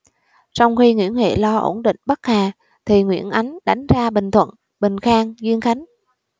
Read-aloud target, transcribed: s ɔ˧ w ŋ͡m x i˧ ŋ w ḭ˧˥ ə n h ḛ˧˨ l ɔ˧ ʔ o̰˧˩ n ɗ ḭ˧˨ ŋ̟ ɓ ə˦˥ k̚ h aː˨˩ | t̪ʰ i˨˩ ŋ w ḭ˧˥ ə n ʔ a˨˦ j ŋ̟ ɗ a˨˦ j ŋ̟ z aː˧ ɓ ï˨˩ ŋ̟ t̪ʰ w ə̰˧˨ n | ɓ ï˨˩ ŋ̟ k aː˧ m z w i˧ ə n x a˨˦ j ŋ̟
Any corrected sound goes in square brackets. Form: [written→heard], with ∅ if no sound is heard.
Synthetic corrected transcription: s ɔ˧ w ŋ͡m x i˧ ŋ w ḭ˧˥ ə n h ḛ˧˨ l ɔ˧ ʔ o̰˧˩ n ɗ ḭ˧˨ ŋ̟ ɓ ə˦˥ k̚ h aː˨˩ | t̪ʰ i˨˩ ŋ w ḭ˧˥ ə n ʔ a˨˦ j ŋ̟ ɗ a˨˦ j ŋ̟ z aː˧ ɓ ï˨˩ ŋ̟ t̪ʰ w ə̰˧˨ n | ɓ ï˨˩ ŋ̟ [k→x] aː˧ [m→ŋ] z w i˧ ə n x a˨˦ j ŋ̟